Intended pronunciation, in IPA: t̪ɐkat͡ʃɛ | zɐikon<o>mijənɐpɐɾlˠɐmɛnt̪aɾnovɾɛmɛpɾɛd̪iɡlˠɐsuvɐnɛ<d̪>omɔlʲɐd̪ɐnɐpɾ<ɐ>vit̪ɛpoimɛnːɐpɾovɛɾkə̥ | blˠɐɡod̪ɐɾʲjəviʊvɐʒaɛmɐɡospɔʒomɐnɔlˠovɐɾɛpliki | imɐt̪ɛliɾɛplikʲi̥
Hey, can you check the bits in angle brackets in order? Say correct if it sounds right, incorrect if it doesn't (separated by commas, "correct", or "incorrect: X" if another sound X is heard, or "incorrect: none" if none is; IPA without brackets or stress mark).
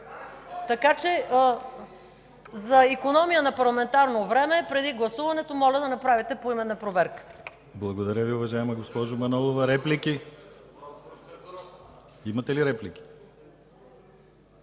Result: incorrect: ɔ, incorrect: t̪, incorrect: a